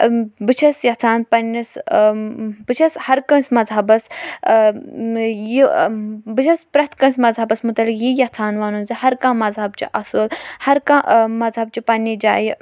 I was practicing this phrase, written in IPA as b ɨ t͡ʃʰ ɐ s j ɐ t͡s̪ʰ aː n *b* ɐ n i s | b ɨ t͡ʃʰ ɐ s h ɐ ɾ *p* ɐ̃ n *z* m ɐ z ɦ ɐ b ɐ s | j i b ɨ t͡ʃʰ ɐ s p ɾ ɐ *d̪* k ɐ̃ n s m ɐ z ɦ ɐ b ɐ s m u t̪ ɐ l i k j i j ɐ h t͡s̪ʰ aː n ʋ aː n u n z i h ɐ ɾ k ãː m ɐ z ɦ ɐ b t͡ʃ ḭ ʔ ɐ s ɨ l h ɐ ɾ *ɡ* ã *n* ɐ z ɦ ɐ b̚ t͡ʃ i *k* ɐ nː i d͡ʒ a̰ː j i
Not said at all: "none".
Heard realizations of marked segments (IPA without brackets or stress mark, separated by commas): p, k, s, t̪, k, m, p